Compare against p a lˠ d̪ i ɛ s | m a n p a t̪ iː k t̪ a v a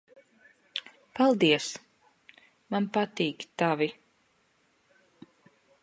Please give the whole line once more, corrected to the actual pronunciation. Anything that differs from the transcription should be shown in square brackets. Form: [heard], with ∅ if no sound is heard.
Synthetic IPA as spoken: p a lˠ d̪ i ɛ s | m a n p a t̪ iː k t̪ a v [i]